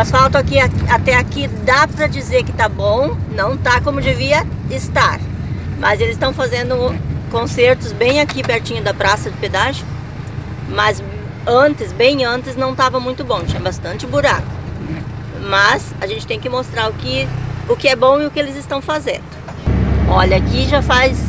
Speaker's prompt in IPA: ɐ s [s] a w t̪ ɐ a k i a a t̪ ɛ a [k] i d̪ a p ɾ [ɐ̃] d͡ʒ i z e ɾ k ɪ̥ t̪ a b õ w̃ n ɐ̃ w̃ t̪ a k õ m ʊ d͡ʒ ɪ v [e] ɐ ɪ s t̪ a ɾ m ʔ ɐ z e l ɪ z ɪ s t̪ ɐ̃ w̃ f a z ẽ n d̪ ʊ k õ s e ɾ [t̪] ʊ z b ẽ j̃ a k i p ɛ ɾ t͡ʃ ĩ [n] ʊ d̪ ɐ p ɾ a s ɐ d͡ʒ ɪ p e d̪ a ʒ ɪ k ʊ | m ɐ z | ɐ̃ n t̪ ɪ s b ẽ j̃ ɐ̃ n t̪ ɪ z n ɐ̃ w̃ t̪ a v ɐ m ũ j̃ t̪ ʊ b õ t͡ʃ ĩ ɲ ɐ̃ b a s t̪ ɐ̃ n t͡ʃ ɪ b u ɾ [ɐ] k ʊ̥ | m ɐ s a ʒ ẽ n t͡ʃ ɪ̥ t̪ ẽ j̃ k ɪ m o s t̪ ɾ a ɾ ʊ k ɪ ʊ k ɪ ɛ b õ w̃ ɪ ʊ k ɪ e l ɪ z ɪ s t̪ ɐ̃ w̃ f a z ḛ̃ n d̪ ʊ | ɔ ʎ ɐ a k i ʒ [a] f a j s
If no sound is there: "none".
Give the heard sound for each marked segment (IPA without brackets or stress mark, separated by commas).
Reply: f, k, ɐ, i, t̪, ɲ, a, a